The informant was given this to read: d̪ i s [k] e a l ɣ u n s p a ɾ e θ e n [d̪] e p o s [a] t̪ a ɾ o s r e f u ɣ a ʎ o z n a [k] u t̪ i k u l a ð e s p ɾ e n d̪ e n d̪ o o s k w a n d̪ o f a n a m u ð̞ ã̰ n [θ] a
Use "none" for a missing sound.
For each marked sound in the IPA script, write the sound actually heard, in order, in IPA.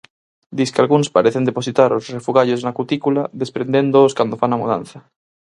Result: k, d̪, i, k, θ

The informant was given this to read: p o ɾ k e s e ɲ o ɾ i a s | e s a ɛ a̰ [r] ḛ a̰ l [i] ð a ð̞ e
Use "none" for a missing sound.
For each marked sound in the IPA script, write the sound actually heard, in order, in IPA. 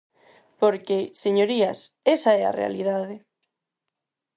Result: r, i

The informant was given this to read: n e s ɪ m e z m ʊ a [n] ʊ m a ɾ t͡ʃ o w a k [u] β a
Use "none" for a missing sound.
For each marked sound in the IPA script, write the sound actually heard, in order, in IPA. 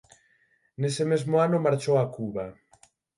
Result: n, u

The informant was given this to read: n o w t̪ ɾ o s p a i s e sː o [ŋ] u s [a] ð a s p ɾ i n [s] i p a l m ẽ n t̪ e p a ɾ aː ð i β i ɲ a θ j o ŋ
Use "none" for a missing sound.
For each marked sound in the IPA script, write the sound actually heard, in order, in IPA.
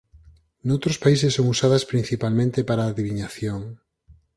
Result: ŋ, a, θ

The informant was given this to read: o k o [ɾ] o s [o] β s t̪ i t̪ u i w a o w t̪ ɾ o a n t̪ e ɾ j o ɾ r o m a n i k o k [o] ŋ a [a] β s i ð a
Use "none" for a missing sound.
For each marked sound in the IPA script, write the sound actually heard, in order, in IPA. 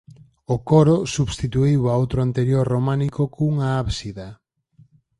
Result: ɾ, u, u, a

